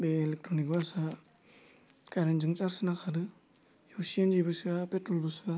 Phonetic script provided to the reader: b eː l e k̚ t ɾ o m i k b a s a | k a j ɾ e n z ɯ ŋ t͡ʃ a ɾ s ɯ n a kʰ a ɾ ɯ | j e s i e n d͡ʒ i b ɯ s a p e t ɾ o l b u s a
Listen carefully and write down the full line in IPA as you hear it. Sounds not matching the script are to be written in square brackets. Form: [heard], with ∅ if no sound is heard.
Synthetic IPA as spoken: b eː l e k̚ t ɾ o [n] i k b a s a | k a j ɾ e n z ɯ ŋ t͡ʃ a ɾ s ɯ n a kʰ a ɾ ɯ | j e s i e n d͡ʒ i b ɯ s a p e t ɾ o l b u s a